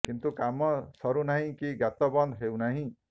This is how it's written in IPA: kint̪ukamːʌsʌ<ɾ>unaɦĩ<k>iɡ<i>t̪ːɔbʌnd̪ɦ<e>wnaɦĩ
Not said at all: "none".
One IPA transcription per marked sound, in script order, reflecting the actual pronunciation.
ɾ, k, a, e

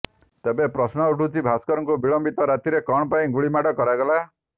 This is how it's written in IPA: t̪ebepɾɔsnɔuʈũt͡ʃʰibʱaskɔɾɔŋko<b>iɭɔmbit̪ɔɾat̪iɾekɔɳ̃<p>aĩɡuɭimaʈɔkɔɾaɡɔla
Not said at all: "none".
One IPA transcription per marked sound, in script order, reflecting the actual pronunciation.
b, p

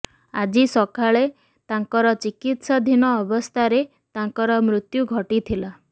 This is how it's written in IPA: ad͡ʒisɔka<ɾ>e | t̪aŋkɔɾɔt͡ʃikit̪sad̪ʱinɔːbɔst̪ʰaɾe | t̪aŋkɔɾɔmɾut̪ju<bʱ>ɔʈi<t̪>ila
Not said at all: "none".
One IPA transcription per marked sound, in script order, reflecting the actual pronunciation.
ɭ, ɡʱ, t̪ʰ

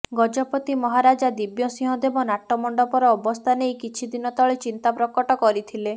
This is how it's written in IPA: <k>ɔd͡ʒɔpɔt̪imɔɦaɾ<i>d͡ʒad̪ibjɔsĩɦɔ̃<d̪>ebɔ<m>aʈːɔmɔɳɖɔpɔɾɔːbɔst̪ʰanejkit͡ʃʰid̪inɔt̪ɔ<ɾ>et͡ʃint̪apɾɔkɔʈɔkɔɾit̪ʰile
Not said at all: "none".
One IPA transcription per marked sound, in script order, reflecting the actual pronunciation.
ɡ, a, d̪, n, ɭ

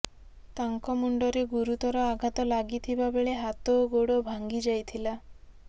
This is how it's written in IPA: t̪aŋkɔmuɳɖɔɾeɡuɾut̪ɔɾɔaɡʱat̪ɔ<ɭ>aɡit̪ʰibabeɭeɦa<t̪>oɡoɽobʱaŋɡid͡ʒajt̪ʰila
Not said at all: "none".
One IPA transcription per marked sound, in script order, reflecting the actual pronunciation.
l, t̪

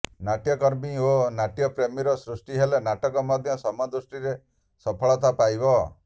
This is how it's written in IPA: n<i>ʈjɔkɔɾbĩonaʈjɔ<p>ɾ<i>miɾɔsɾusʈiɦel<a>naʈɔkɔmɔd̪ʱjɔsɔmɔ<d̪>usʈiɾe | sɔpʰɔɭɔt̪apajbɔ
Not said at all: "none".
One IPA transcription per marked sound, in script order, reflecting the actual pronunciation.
a, p, e, e, d̪

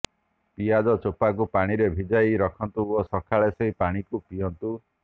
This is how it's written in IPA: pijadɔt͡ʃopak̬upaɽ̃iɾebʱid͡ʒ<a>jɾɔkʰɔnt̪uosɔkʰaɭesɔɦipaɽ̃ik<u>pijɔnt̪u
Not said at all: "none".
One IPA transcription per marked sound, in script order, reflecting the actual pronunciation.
a, u

